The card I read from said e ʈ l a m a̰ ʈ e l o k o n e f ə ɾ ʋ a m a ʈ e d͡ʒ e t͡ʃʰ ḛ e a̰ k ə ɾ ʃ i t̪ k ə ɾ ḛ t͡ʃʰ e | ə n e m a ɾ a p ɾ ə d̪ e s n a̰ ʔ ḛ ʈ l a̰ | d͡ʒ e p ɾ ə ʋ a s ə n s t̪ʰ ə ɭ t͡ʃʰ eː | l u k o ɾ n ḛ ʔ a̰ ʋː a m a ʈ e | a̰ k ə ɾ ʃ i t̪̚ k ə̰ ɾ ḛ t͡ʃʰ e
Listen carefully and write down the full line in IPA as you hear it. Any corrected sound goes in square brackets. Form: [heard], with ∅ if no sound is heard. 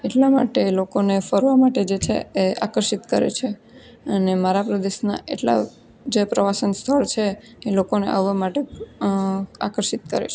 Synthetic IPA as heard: e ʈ l a m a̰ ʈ e l o k o n e f ə ɾ ʋ a m a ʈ e d͡ʒ e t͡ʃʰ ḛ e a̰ k ə ɾ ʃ i t̪ k ə ɾ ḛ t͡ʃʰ e | ə n e m a ɾ a p ɾ ə d̪ e [ʃ] n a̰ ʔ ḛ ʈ l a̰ | d͡ʒ e p ɾ ə ʋ a s ə n s t̪ʰ ə ɭ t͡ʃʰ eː | l [o] k o [∅] n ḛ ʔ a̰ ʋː a m a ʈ e | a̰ k ə ɾ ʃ i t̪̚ k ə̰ ɾ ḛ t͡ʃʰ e

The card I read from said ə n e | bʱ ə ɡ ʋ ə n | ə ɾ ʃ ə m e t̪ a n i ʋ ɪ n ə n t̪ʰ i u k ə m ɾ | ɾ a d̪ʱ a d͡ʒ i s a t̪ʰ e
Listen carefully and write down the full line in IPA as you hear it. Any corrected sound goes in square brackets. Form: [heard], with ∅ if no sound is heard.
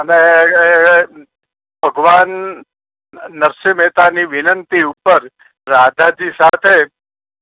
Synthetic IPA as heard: ə n e | bʱ ə ɡ ʋ [a] n | ə ɾ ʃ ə m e t̪ a n i ʋ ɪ n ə n [t̪] i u [p] ə [∅] ɾ | ɾ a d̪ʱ a d͡ʒ i s a t̪ʰ e

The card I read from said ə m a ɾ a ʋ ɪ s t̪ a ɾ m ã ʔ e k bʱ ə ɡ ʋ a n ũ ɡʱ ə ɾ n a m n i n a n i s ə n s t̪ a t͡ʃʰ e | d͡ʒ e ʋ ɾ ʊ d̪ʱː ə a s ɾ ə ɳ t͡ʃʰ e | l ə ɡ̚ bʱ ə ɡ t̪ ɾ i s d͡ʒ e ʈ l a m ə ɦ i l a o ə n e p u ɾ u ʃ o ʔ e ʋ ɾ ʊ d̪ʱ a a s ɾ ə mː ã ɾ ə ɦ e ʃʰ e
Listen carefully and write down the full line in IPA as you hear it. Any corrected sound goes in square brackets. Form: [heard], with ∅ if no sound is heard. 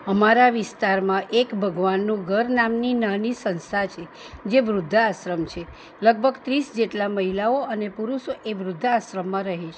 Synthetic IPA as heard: ə m a ɾ a ʋ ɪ s t̪ a ɾ m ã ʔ e k bʱ ə ɡ ʋ a [nː] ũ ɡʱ ə ɾ n a m n i n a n i s ə n s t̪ a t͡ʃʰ e | d͡ʒ e ʋ ɾ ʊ d̪ʱː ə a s ɾ ə [m] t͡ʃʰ e | l ə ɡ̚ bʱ ə ɡ t̪ ɾ i s d͡ʒ e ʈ l a m ə ɦ i l a o ə n e p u ɾ u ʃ o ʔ e ʋ ɾ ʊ [d̪ʱː] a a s ɾ ə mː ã ɾ ə ɦ e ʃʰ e

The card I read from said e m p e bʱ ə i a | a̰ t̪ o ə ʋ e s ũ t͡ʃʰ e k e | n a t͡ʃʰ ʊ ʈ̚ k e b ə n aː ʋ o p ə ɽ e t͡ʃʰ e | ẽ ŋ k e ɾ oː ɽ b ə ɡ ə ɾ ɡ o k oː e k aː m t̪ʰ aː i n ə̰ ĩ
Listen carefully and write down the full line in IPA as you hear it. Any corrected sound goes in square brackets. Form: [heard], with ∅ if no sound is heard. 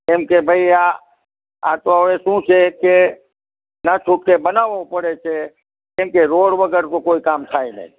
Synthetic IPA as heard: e m [k] e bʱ ə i a | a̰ t̪ o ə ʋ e s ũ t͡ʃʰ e k e | n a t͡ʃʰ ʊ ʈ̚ k e b ə n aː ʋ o p ə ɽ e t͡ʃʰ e | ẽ [m] k e ɾ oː ɽ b ə ɡ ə ɾ [k] o k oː [i] k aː m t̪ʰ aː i n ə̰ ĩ

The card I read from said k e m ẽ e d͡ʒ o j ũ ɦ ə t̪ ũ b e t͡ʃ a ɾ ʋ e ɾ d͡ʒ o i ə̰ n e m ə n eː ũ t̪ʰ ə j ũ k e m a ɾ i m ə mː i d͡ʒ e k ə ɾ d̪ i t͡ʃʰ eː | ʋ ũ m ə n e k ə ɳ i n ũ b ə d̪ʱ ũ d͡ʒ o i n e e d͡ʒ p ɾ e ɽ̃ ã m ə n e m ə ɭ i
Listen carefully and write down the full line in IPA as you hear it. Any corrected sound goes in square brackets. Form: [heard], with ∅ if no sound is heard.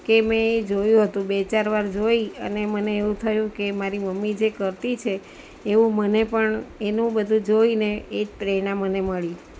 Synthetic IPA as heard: k e m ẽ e d͡ʒ o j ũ ɦ ə t̪ ũ b e t͡ʃ a ɾ ʋ [a] ɾ d͡ʒ o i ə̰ n e m ə n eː ũ t̪ʰ ə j ũ k e m a ɾ i m ə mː i d͡ʒ e k ə ɾ [t̪] i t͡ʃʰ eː | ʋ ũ m ə n e [p] ə ɳ [e] n ũ b ə d̪ʱ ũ d͡ʒ o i n e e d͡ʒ p ɾ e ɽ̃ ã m ə n e m ə ɭ i

